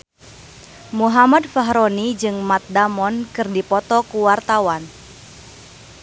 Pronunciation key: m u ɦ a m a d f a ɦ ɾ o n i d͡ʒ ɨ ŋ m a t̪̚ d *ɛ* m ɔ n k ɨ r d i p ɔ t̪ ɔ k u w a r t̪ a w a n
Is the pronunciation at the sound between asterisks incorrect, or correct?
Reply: incorrect: a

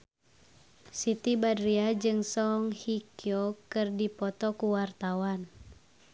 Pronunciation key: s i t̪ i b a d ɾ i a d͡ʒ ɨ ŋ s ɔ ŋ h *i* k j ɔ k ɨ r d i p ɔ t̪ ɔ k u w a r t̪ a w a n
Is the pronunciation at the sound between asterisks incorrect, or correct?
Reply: correct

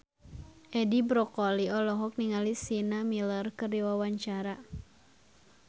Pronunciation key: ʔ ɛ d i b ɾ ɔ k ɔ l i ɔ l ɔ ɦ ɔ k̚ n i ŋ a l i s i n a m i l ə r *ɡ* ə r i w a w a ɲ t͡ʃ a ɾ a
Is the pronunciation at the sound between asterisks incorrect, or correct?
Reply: incorrect: k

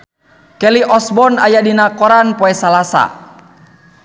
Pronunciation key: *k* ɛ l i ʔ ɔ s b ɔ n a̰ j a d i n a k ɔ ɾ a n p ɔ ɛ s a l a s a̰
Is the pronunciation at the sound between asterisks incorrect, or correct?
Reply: correct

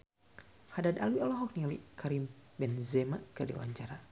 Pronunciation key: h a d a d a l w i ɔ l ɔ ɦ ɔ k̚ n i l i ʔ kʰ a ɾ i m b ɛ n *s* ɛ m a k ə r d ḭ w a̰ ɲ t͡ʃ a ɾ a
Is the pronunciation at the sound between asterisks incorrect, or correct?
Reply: incorrect: z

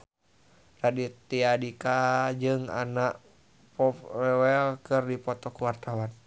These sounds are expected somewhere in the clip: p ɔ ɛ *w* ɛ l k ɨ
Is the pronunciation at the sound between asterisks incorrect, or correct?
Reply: correct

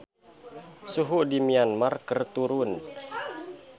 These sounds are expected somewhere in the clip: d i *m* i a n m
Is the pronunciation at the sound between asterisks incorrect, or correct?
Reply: correct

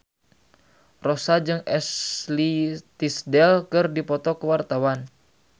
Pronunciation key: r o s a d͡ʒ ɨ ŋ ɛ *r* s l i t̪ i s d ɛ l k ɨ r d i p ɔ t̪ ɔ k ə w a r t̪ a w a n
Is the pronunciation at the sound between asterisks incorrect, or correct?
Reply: incorrect: none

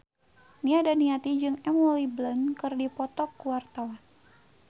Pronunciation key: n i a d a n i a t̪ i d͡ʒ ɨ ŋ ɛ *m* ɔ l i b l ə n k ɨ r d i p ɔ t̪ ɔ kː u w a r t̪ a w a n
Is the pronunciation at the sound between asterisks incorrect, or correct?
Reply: correct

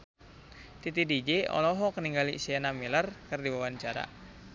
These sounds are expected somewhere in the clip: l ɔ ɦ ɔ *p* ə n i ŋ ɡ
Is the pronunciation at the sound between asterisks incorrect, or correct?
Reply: incorrect: k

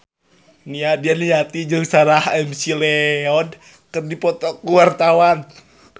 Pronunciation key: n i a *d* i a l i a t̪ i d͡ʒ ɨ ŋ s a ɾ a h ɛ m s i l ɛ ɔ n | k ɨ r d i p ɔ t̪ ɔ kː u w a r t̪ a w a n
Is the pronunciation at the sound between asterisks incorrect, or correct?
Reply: correct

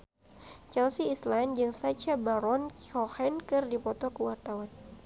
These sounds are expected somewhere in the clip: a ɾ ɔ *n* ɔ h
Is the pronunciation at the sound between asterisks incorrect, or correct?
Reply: correct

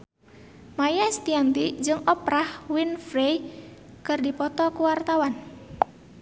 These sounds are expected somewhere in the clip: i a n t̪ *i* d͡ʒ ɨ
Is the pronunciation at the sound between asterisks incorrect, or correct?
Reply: correct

